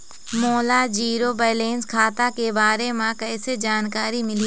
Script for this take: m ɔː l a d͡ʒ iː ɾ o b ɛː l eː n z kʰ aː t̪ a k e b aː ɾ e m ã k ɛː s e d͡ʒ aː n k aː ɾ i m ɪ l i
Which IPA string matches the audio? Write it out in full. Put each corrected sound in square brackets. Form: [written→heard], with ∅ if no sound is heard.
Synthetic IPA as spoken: m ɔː l a d͡ʒ iː ɾ o b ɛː l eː n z kʰ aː t̪ a k e b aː ɾ e m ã k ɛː s e d͡ʒ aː n k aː ɾ i m ɪ l i